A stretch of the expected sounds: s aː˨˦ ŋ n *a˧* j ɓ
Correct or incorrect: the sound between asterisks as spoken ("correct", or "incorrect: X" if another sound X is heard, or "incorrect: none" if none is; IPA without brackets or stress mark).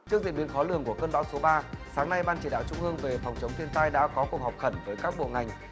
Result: correct